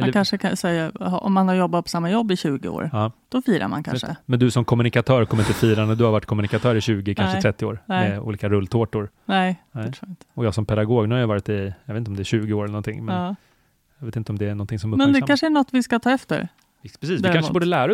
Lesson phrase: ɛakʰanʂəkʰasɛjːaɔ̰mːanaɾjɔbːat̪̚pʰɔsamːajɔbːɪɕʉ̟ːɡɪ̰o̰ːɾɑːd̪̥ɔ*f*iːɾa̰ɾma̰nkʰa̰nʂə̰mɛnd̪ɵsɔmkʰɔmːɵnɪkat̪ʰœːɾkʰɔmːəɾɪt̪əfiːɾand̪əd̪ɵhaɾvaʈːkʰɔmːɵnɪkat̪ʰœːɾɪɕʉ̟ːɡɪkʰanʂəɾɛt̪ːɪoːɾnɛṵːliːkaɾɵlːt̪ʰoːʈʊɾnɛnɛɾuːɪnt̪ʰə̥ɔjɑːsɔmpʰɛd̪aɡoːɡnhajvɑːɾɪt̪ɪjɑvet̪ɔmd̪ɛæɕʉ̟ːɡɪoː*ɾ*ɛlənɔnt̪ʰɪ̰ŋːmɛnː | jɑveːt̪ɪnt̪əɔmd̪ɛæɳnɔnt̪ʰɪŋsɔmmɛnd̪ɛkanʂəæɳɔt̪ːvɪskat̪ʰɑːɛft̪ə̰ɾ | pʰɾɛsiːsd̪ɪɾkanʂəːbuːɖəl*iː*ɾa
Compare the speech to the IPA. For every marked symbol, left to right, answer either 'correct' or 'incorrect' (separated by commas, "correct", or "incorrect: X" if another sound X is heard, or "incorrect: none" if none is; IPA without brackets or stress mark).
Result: correct, correct, incorrect: æː